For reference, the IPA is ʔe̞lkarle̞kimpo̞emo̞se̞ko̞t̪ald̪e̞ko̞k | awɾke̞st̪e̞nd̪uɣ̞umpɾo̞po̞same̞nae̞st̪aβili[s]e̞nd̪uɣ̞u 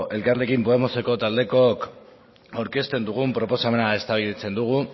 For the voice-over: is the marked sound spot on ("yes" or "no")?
no